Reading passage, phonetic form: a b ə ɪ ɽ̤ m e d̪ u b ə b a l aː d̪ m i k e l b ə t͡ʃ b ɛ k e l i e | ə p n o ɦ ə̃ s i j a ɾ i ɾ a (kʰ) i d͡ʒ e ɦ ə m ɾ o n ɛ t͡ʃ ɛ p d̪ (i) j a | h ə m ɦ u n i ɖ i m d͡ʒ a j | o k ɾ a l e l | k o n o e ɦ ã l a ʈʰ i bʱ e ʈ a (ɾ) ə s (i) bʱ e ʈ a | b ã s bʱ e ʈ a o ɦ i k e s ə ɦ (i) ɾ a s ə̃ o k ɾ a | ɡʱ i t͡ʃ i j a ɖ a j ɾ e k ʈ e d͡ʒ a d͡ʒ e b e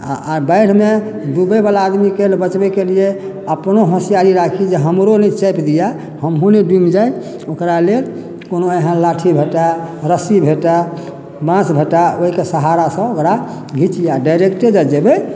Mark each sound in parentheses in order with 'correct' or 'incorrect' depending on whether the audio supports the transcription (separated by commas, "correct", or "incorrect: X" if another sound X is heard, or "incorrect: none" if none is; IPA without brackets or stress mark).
correct, correct, correct, correct, incorrect: a